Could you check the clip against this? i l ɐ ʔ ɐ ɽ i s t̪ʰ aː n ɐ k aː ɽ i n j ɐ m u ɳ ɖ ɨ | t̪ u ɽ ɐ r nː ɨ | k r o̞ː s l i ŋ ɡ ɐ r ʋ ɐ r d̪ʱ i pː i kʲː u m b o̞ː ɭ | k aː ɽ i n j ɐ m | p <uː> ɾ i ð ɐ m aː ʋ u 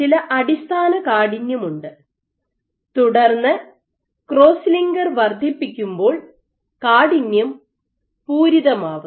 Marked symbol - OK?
yes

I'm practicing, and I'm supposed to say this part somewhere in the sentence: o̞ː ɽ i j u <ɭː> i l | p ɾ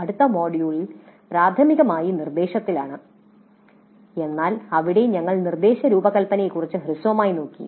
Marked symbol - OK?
no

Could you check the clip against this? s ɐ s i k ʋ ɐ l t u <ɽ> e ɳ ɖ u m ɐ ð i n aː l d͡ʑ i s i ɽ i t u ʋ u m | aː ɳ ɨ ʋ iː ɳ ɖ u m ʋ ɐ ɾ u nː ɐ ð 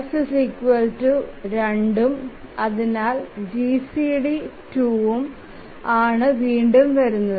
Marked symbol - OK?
no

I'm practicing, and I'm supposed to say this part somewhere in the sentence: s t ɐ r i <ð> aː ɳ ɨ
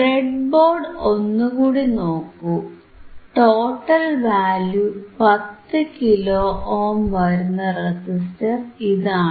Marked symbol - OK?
yes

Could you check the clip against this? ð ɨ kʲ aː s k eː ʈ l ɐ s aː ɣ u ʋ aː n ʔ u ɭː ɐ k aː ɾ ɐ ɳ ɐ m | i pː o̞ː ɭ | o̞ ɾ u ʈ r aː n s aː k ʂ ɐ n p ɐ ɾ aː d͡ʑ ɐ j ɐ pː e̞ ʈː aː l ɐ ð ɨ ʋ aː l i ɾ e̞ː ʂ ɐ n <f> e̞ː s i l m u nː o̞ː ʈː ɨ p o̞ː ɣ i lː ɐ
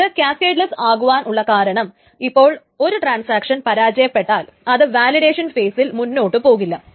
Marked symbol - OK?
yes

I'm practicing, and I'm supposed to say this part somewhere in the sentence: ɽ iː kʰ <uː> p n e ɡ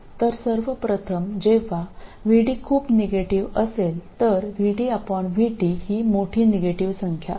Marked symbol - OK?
yes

